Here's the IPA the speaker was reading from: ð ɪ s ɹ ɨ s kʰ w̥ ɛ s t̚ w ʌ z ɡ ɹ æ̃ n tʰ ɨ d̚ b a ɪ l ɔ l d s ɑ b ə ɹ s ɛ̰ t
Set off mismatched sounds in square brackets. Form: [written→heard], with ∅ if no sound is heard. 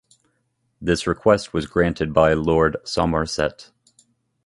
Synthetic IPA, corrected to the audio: ð ɪ s ɹ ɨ [s→∅] kʰ w̥ ɛ s t̚ w ʌ z ɡ ɹ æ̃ n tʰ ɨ d̚ b a ɪ l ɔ [l→ɹ] d s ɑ [b→m] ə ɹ s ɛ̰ t